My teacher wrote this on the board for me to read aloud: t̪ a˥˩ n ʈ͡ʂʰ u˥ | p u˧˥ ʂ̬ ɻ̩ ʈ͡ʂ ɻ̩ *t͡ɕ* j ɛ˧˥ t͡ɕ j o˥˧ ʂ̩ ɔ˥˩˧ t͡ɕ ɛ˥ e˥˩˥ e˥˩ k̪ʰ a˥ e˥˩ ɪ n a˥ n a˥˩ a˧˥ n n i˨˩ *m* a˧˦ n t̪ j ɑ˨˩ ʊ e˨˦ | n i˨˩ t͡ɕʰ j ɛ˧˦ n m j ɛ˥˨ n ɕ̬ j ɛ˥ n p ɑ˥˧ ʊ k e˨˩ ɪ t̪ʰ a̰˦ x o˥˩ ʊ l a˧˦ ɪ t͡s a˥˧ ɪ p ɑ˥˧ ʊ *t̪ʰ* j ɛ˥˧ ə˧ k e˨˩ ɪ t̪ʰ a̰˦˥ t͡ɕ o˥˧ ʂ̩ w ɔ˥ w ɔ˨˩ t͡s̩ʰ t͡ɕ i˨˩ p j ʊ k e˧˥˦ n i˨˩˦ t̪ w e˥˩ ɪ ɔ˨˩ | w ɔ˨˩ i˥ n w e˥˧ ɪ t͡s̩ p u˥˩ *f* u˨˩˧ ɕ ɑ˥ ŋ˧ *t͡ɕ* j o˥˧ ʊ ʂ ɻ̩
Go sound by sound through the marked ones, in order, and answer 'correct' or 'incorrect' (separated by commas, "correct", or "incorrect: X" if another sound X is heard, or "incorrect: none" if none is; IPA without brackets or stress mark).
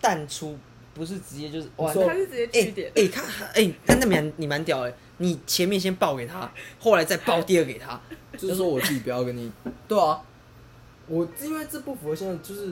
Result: correct, correct, incorrect: t̪, correct, correct